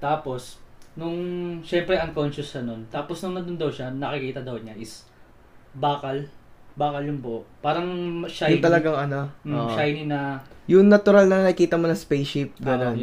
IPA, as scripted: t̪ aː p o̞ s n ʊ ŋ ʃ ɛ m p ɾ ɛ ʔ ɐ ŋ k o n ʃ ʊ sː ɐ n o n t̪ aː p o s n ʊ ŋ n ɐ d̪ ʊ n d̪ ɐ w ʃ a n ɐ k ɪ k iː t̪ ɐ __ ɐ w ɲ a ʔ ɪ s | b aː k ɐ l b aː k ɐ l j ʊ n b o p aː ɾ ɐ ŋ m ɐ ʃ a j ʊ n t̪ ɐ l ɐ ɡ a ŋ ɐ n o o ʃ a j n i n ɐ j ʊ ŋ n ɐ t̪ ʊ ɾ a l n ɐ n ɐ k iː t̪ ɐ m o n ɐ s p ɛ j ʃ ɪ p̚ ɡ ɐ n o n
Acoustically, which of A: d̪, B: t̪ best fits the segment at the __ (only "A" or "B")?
A